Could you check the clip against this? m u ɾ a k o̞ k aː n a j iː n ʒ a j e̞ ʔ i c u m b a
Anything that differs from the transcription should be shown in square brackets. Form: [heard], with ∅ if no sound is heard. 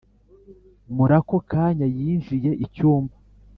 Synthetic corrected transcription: m u ɾ a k o̞ k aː [ɲ] a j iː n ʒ [i] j e̞ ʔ i c [uː] m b a